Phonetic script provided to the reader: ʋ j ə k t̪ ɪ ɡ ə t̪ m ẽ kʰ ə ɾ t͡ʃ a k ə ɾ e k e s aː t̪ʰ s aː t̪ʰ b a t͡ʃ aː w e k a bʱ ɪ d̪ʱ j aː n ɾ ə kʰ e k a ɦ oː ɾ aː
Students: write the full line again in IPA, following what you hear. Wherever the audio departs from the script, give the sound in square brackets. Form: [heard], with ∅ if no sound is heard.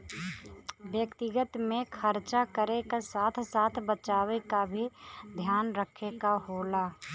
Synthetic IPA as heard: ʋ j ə k t̪ ɪ ɡ ə t̪ m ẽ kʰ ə ɾ t͡ʃ a k ə ɾ e k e s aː t̪ʰ s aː t̪ʰ b [ə] t͡ʃ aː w e k a bʱ [i] d̪ʱ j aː n ɾ ə kʰ e k a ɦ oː [l] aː